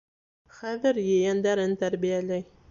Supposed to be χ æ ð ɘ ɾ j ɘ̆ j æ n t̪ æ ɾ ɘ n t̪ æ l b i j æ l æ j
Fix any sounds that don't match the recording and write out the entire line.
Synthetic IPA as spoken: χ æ ð ɘ ɾ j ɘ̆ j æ n d̪ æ ɾ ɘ n t̪ æ ɾ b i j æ l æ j

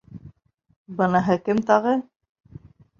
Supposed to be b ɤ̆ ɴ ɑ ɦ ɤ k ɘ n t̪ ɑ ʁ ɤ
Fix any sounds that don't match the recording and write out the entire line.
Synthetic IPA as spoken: b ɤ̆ n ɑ ɦ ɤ k ɘ m t̪ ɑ ʁ ɤ

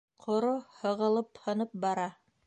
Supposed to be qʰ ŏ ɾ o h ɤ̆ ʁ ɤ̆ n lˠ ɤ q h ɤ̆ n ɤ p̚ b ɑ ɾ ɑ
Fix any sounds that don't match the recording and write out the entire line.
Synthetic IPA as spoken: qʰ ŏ ɾ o h ɤ̆ ʁ ɤ̆ lˠ ɤ p h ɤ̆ n ɤ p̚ b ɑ ɾ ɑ

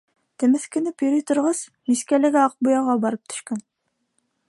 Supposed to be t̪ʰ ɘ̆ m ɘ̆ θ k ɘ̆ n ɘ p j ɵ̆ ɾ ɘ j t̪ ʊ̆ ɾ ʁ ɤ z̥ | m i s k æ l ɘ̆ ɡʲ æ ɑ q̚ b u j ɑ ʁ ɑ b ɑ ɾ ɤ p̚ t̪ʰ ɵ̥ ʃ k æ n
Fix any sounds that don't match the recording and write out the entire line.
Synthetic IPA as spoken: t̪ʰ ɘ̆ m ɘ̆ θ k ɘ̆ n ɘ p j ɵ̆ ɾ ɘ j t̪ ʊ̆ ɾ ʁ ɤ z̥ | m i s k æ l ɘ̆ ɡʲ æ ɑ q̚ b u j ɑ ʁ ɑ b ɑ ɾ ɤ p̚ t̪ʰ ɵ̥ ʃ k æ n

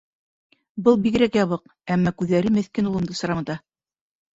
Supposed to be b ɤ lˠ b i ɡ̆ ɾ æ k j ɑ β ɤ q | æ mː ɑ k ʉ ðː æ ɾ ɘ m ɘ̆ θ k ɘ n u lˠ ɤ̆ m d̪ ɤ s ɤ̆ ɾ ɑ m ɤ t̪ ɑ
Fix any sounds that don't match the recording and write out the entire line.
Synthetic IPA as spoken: b ɤ lˠ b i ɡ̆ ɾ æ k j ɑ β ɤ q | æ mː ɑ k ʉ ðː æ ɾ ɘ m ɘ̆ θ k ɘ n u lˠ ɤ̆ m d̪ ɤ s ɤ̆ ɾ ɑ m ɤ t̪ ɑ

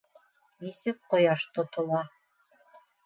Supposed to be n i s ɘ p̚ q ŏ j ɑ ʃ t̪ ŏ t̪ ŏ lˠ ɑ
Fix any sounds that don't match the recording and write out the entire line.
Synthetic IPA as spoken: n i s ɘ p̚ q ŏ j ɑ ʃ t̪ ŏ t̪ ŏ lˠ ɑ

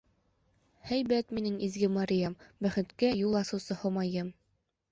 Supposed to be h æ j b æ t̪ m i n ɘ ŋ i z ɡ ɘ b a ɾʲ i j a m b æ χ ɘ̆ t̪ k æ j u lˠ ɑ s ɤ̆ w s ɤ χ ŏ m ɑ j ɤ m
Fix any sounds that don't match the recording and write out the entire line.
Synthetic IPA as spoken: h æ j b æ t̪ m i n ɘ ŋ i z ɡ ɘ m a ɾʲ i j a m b æ χ ɘ̆ t̪ k æ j u lˠ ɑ s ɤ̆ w s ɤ h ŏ m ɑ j ɤ m

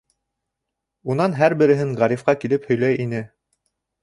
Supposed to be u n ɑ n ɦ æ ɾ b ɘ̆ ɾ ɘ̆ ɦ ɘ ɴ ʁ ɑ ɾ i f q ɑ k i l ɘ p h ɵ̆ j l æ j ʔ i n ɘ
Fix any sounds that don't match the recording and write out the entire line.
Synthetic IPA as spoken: u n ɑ n ɦ æ ɾ b ɘ̆ ɾ ɘ̆ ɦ ɘ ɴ ʁ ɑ ɾ i f q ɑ k i l ɘ p h ɵ̆ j l æ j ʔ i n ɘ

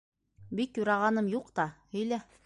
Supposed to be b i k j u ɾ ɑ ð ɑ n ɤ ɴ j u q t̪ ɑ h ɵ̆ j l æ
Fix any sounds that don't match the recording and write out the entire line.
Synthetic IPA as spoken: b i k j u ɾ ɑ ʁ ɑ n ɤ m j u q t̪ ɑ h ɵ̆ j l æ

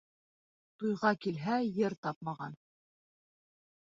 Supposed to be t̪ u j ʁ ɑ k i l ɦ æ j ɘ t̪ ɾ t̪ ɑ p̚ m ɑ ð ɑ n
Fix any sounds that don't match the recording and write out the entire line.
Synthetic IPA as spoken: t̪ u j ʁ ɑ k i l ɦ æ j ɘ ɾ t̪ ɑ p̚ m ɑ ʁ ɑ n

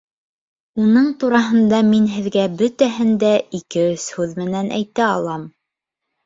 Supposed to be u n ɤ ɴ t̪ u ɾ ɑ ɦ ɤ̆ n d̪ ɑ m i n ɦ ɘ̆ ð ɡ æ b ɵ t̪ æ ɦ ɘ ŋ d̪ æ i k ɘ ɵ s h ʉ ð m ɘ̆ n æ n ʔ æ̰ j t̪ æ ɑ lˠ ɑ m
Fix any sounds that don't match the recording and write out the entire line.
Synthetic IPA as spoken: u n ɤ ɴ t̪ u ɾ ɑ ɦ ɤ̆ n d̪ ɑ m i n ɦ ɘ̆ ð ɡ æ b ɵ t̪ æ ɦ ɘ n d̪ æ i k ɘ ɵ s h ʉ ð m ɘ̆ n æ n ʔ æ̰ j t̪ æ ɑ lˠ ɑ m

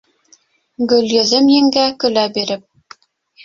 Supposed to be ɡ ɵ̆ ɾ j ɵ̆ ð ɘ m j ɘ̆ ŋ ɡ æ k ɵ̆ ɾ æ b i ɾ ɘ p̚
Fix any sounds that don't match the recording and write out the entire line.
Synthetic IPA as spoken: ɡ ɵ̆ l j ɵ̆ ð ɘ m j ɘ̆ ŋ ɡ æ k ɵ̆ l æ b i ɾ ɘ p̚

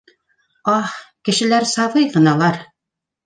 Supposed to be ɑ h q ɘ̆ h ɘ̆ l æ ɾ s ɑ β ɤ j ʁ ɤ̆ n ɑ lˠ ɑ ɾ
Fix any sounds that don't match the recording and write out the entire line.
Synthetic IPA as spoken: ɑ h k ɘ̆ ʃ ɘ̆ l æ ɾ s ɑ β ɤ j ʁ ɤ̆ n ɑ lˠ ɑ ɾ

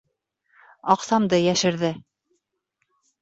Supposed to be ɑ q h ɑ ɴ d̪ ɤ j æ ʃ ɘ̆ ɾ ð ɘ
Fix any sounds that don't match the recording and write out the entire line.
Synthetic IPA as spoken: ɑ q s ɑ m d̪ ɤ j æ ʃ ɘ̆ ɾ ð ɘ

